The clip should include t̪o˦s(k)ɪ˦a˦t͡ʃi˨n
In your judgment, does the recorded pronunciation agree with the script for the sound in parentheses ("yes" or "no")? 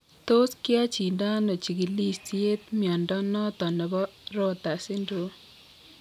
yes